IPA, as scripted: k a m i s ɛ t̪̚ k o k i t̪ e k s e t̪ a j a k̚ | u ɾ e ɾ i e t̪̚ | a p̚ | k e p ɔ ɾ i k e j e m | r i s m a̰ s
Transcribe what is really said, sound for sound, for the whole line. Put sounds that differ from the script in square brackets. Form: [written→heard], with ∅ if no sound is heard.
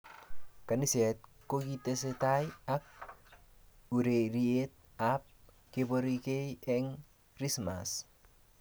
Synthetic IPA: k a [m→n] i s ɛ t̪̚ k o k i t̪ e [k→∅] s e t̪ a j a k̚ | u ɾ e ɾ i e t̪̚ | a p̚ | k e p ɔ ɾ i k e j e [m→ŋ] | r i s m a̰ s